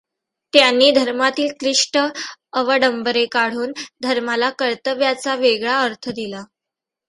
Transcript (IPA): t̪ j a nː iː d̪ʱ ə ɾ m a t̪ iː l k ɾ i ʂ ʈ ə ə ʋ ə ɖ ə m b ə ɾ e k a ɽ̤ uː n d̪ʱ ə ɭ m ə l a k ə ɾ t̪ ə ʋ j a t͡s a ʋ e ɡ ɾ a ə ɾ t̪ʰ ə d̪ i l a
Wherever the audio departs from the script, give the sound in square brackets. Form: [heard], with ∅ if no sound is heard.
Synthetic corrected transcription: t̪ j a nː iː d̪ʱ ə ɾ m a t̪ iː l k ɾ i ʂ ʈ ə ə ʋ ə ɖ ə m b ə ɾ e k a ɽ̤ uː n d̪ʱ ə [ɾ] m [a] l a k ə ɾ t̪ ə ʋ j a t͡s a ʋ e ɡ [ɭ] a ə ɾ t̪ʰ ə d̪ i l a